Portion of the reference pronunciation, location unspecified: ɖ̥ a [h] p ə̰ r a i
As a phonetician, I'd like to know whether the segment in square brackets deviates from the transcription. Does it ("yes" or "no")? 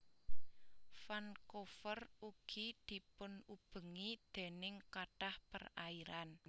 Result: no